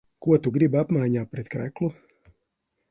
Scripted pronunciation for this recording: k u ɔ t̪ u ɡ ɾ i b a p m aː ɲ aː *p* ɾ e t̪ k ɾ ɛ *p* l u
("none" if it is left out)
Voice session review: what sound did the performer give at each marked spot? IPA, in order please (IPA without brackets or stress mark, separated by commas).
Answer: p, k